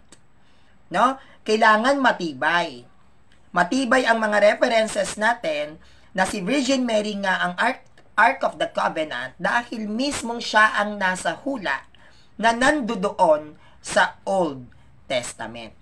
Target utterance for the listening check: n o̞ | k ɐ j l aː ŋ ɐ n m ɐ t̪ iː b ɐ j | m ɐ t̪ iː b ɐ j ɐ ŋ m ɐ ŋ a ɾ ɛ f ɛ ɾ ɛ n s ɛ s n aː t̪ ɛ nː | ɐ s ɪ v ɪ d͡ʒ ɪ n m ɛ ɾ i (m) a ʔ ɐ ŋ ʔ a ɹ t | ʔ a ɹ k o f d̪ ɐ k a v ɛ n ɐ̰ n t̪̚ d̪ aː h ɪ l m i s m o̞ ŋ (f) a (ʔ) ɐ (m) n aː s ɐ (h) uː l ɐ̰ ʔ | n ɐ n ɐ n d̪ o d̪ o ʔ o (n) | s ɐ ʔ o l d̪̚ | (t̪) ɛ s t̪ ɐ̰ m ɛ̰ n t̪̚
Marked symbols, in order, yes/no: no, no, yes, no, yes, yes, yes

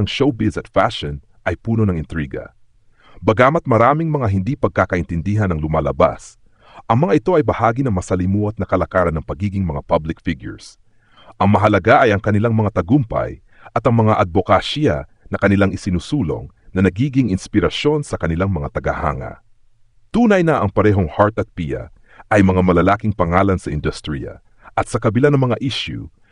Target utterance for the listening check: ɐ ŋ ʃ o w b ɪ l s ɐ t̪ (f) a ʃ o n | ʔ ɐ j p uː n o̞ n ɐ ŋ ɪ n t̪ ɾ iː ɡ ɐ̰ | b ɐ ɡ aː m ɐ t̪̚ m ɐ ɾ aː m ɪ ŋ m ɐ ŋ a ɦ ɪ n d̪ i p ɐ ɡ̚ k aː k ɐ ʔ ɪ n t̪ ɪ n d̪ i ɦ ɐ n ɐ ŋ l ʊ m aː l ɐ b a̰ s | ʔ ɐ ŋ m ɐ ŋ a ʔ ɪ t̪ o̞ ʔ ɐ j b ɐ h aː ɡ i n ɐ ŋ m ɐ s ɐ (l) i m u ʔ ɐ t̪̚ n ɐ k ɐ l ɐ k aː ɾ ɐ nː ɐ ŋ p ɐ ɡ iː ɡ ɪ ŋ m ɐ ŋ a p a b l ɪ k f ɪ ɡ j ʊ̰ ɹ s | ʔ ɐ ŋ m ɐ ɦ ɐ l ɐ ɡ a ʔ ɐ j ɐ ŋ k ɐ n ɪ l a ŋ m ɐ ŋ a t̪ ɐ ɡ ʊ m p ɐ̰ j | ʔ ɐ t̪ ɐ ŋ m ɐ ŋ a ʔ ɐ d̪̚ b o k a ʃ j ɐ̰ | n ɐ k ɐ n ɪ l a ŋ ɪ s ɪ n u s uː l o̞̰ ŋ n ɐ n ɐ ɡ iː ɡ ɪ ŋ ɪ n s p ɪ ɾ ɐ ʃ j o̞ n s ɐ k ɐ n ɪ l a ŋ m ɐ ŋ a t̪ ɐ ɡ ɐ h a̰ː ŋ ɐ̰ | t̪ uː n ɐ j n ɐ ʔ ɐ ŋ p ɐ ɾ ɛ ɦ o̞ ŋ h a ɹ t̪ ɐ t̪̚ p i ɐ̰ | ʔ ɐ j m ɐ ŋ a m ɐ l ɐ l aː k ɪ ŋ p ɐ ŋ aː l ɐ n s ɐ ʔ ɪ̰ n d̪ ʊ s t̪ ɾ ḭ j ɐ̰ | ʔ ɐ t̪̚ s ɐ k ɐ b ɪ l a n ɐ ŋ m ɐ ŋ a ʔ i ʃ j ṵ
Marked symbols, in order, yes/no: yes, yes

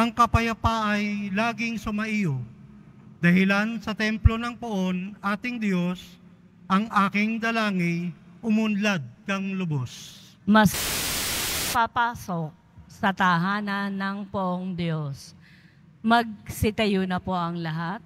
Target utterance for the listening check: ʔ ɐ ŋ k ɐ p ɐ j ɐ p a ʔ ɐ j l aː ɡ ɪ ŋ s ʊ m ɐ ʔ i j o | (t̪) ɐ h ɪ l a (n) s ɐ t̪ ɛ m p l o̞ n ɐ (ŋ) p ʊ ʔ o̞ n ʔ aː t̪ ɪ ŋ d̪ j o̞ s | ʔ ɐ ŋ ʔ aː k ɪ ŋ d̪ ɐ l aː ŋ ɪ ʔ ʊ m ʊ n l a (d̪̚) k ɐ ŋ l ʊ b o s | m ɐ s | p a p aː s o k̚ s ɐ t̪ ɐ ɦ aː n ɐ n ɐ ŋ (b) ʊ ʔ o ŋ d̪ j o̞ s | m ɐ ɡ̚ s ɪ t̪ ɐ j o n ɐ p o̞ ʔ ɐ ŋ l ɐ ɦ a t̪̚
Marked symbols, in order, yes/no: no, yes, yes, yes, no

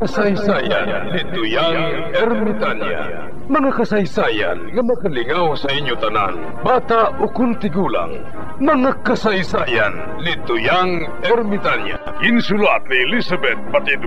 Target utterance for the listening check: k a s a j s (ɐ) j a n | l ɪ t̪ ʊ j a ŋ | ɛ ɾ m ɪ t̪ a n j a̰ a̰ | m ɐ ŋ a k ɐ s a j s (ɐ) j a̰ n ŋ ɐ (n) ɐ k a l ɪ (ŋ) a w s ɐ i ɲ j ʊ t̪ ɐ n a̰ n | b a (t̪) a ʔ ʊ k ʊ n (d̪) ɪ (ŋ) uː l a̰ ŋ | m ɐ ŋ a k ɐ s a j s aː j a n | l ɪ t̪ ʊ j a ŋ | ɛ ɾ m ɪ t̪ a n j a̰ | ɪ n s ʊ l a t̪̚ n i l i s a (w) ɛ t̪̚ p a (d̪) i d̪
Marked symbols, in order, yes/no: no, no, no, yes, yes, no, no, no, no

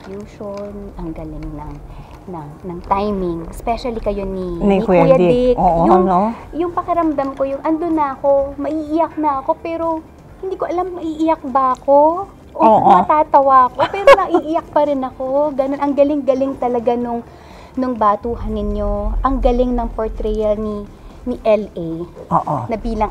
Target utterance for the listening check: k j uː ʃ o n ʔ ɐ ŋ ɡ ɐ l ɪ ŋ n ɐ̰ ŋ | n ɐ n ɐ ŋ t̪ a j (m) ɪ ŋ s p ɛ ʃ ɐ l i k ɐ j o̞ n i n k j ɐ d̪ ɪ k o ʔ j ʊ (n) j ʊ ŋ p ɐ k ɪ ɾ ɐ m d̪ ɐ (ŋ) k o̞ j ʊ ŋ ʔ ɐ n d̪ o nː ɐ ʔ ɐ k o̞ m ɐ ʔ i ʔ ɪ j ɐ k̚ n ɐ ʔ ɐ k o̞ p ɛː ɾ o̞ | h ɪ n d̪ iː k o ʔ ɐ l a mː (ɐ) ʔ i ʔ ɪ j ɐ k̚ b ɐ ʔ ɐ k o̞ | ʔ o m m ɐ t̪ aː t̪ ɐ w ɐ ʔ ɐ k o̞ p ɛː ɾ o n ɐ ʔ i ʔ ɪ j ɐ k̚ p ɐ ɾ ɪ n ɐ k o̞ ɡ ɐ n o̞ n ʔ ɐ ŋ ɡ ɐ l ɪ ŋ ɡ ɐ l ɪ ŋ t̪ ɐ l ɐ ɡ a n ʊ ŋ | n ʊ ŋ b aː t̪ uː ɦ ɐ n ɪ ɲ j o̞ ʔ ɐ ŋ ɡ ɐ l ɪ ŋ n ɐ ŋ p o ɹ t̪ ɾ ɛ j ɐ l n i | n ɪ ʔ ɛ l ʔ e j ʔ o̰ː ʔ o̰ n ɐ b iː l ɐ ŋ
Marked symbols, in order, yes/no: yes, no, no, yes

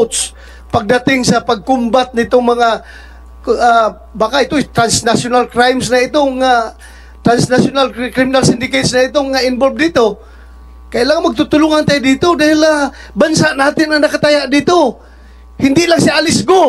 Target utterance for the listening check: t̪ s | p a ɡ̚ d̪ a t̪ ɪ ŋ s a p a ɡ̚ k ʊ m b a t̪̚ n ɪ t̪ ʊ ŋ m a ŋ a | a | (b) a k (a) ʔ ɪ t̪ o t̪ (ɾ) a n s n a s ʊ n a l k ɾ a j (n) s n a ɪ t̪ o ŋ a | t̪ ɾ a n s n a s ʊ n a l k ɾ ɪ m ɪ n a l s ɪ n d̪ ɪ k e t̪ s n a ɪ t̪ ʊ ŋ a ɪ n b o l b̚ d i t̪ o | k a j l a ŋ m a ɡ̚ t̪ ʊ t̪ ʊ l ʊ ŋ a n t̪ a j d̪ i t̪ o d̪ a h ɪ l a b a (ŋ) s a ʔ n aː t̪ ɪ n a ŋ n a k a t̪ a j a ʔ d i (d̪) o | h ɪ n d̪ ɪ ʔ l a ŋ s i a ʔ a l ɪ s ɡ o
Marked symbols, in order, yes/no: yes, yes, yes, no, no, no

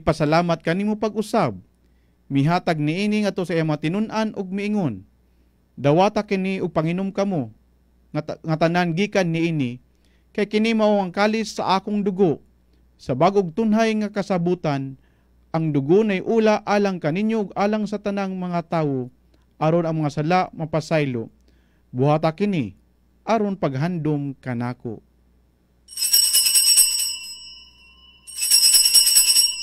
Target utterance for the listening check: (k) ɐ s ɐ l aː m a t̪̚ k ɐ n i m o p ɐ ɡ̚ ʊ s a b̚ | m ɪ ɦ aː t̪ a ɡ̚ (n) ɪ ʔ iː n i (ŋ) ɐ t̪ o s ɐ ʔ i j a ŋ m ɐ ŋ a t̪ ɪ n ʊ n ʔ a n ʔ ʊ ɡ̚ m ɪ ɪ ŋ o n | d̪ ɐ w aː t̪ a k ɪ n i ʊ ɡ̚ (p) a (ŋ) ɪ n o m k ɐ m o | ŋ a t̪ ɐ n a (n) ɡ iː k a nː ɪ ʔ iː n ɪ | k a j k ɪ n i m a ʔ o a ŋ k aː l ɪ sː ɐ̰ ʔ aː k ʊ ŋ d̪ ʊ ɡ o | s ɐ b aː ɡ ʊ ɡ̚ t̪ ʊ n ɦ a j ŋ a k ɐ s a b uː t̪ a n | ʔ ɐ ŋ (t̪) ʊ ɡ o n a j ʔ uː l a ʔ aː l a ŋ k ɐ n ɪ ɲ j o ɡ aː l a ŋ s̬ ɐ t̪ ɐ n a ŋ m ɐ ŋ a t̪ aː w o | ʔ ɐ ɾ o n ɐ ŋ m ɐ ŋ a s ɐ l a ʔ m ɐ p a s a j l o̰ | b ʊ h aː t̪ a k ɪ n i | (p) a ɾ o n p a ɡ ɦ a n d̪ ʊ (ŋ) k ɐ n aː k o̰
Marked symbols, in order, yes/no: no, yes, yes, yes, yes, yes, no, no, no

